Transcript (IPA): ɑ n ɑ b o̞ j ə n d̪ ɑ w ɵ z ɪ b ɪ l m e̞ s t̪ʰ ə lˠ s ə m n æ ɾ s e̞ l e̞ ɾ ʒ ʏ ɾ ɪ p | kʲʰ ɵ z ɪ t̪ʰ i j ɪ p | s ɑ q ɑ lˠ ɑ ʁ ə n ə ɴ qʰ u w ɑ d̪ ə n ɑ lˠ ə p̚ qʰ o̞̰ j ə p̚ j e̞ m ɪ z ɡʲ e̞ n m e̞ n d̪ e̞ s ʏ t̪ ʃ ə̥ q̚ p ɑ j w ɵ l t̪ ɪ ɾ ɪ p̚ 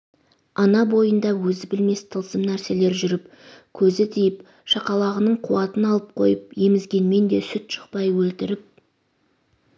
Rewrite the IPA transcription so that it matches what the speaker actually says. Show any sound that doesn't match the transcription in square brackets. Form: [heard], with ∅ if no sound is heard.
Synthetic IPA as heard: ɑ n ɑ b o̞ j ə n d̪ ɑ w ɵ z ɪ b ɪ l m e̞ s t̪ʰ ə lˠ s ə m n æ ɾ s e̞ l e̞ ɾ ʒ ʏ ɾ ɪ p | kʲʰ ɵ z ɪ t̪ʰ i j ɪ p | [ʃ] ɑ q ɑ lˠ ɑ ʁ ə n ə ɴ qʰ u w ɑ [t̪] ə n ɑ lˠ ə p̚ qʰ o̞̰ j ə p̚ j e̞ m ɪ z ɡʲ e̞ n m e̞ n d̪ e̞ s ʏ t̪ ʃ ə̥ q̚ p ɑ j w ɵ l t̪ ɪ ɾ ɪ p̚